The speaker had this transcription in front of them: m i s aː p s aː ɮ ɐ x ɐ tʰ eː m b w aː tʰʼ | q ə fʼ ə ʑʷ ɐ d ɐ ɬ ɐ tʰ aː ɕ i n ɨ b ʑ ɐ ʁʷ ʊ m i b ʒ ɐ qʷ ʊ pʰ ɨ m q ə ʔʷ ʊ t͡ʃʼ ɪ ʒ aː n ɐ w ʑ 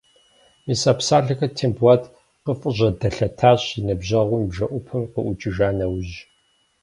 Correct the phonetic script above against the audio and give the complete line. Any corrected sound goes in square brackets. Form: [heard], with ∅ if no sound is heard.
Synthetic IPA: m i s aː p s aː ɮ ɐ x ɐ tʰ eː m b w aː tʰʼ | q ə fʼ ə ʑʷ ɐ d ɐ ɬ ɐ tʰ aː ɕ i n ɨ b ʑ ɐ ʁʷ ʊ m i b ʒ ɐ [ʔʷ] ʊ pʰ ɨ m q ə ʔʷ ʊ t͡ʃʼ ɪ ʒ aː n ɐ w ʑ